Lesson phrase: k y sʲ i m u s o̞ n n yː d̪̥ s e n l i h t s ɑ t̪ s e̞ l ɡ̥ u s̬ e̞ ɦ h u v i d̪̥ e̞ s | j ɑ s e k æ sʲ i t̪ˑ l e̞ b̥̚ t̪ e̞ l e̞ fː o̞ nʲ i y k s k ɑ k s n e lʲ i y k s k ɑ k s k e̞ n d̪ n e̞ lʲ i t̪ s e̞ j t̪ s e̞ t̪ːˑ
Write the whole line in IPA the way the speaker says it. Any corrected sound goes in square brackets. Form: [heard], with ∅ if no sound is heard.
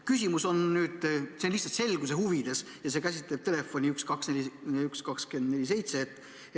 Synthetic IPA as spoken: k y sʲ i m u s o̞ n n yː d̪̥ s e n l i h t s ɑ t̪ s e̞ l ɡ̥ u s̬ e̞ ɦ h u v i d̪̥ e̞ s | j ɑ s e k æ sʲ i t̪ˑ l e̞ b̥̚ t̪ e̞ l e̞ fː o̞ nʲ i y k s k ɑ k s n e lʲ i y k s k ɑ k s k e̞ n d̪ n e̞ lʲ i [∅] s e̞ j t̪ s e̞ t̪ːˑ